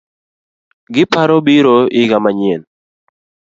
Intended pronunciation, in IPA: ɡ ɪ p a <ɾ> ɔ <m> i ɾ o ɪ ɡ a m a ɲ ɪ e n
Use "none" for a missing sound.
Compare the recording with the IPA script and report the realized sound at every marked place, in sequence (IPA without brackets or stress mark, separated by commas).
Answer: ɾ, b